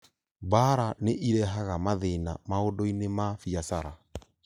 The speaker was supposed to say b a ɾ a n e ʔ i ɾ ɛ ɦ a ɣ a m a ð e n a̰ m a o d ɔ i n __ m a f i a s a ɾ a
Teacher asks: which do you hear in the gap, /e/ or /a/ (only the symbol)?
e